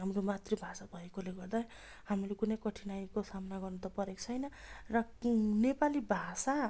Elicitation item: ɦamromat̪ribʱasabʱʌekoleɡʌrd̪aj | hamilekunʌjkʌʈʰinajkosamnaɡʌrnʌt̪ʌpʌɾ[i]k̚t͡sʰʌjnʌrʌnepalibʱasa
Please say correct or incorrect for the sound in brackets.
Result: incorrect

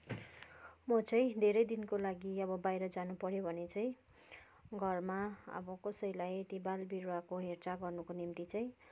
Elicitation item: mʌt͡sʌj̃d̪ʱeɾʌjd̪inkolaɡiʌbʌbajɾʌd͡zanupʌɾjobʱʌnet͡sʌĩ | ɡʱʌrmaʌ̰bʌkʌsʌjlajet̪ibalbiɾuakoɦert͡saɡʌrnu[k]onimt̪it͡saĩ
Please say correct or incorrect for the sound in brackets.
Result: correct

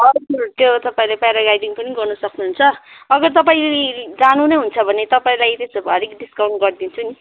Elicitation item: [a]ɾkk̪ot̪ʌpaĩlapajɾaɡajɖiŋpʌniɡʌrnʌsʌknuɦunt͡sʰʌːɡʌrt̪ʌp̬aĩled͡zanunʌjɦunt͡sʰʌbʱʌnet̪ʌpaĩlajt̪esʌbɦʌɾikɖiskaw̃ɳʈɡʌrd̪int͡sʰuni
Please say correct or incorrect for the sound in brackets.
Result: incorrect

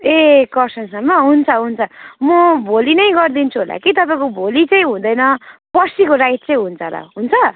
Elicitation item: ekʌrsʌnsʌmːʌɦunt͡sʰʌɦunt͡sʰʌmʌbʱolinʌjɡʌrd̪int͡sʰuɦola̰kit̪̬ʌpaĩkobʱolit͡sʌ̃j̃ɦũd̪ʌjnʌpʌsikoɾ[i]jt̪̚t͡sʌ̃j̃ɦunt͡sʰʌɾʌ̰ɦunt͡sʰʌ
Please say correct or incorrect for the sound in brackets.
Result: incorrect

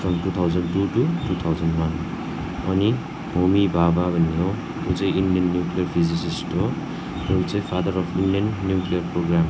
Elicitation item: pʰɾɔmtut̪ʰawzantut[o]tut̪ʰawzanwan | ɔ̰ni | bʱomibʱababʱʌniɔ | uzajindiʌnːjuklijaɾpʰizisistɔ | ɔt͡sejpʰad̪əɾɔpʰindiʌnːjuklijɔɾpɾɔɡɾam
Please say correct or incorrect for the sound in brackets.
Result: incorrect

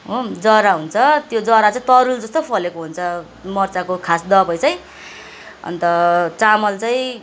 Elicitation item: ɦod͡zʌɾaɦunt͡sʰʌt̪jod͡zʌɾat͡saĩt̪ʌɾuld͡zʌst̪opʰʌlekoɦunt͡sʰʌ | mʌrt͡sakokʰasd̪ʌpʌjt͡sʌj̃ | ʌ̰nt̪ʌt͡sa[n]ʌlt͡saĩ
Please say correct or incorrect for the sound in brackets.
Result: incorrect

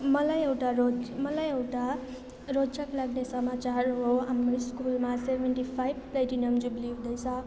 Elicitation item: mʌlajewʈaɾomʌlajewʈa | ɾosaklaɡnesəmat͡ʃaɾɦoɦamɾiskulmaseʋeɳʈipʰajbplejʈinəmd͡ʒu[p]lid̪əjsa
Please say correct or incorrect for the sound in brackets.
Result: incorrect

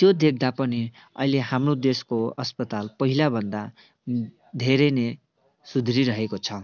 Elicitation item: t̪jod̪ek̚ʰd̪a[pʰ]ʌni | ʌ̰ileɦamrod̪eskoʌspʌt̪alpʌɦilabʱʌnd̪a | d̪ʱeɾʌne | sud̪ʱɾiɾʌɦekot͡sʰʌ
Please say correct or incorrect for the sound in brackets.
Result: incorrect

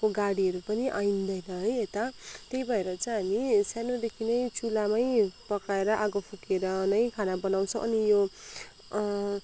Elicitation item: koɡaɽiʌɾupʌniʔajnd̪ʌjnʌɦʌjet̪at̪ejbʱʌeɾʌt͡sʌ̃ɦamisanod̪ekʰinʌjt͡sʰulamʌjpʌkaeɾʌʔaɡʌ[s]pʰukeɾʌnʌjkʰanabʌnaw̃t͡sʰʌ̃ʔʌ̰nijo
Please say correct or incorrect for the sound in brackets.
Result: incorrect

